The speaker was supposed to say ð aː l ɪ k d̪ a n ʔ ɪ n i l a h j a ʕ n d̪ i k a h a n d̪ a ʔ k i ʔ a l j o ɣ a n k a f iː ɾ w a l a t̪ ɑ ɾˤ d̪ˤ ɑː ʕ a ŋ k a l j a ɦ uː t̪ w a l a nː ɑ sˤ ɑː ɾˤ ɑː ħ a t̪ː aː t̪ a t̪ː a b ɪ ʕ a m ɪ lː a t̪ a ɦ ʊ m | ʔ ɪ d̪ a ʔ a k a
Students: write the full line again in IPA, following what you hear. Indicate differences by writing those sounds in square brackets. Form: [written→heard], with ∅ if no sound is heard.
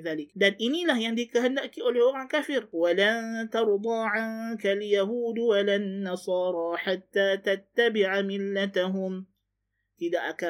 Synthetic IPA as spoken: ð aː l ɪ k d̪ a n ʔ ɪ n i l a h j a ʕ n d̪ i k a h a n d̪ a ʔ k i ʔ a l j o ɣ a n k a f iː ɾ w a l a t̪ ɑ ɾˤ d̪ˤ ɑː ʕ a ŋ k a l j a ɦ uː [t̪→d̪] w a l a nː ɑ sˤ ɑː ɾˤ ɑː ħ a t̪ː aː t̪ a t̪ː a b ɪ ʕ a m ɪ lː a t̪ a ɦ ʊ m | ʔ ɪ d̪ a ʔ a k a